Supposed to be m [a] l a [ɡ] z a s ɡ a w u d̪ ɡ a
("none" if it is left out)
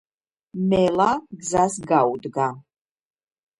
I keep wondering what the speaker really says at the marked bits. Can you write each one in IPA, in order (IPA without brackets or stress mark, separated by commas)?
ɛ, ɡ